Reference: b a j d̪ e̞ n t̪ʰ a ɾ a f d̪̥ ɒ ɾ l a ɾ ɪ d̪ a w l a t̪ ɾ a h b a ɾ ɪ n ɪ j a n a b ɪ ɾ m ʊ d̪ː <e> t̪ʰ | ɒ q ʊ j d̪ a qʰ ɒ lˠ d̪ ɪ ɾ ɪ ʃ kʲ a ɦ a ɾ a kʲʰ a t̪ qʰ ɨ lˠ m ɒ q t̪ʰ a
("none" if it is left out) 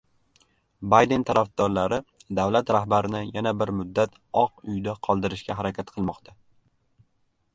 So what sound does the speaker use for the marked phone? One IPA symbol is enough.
a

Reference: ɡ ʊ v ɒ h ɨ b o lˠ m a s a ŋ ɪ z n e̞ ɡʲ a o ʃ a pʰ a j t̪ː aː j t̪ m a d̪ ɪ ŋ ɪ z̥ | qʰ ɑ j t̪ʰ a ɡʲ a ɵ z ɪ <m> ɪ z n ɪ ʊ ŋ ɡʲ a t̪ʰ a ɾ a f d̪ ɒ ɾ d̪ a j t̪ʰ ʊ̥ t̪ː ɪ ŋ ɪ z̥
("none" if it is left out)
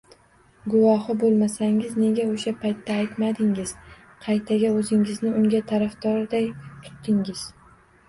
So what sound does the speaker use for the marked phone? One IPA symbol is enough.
ŋ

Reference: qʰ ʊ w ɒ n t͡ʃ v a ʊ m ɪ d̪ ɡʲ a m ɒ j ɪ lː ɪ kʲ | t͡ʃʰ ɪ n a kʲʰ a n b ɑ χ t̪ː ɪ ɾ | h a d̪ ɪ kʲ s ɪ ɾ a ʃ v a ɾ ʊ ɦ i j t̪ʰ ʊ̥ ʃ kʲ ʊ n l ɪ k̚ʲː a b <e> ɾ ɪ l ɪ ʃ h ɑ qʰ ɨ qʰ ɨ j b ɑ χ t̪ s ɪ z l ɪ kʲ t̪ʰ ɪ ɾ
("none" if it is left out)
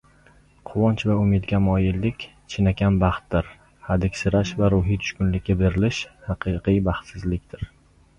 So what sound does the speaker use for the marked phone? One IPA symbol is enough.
e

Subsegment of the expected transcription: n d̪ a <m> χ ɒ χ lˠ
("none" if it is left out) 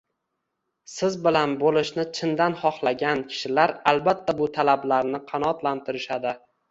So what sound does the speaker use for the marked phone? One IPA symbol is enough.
n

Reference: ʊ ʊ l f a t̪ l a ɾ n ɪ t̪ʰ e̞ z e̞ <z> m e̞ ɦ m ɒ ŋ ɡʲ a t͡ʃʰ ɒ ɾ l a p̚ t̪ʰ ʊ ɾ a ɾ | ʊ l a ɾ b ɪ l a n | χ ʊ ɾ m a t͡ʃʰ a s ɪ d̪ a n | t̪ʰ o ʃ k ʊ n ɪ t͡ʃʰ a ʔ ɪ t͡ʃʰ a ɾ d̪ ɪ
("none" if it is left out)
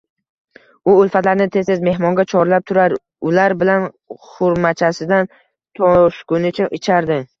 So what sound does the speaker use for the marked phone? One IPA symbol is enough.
z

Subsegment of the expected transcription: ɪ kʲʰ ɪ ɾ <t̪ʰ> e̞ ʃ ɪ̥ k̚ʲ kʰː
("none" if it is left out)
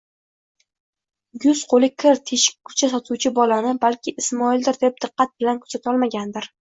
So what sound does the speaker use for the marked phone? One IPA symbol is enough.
t̪ʰ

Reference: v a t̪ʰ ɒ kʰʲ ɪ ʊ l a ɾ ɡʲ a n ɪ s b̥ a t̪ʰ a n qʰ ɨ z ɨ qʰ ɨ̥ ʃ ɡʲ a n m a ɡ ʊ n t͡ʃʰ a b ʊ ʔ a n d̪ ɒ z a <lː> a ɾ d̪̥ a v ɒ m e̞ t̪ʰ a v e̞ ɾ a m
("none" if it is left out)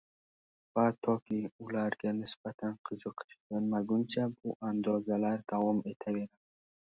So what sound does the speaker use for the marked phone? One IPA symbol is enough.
l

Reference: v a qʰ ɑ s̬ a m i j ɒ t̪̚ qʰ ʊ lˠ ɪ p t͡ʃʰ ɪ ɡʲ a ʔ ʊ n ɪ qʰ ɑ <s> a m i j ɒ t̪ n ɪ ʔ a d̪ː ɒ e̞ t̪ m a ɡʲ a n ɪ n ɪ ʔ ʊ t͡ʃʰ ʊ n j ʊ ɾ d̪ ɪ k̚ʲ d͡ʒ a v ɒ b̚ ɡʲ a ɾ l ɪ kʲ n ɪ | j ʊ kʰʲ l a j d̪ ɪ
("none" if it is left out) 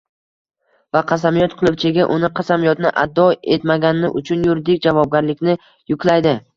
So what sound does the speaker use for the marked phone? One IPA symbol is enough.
s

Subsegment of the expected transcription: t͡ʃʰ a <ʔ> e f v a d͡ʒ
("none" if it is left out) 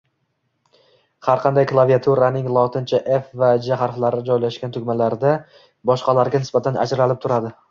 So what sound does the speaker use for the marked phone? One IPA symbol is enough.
ʔ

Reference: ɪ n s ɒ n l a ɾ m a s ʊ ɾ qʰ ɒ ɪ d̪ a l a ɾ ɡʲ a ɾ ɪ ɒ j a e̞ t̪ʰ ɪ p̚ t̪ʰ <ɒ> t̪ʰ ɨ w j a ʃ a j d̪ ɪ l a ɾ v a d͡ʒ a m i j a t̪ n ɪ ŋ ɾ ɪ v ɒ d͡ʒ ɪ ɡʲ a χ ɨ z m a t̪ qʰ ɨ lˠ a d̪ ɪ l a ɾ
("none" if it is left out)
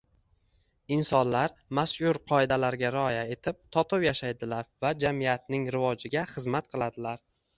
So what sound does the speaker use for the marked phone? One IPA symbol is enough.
ɒ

